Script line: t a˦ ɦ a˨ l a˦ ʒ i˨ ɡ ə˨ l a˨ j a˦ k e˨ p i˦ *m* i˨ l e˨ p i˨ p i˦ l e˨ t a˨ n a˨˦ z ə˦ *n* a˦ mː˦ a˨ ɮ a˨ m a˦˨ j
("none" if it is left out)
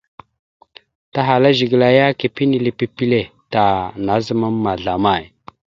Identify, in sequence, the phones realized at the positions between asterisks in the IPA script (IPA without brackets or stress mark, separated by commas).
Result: n, m